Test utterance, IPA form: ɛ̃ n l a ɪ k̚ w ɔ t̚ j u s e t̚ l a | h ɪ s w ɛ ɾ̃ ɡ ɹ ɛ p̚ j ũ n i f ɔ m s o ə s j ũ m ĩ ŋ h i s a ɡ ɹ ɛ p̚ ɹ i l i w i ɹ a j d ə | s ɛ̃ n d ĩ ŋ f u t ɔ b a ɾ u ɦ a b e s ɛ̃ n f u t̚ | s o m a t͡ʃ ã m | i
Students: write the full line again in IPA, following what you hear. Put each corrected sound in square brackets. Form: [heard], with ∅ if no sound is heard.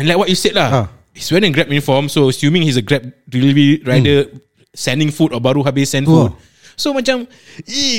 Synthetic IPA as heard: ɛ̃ n l a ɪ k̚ w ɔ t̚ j u s e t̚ l a | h [i] s w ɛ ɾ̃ ɡ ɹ ɛ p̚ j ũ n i f ɔ m s o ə s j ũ m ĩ ŋ h i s [ə] ɡ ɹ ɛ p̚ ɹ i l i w i ɹ a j d ə | s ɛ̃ n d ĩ ŋ f u t ɔ b a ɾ u ɦ a b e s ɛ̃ n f u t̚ | s o m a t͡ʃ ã m | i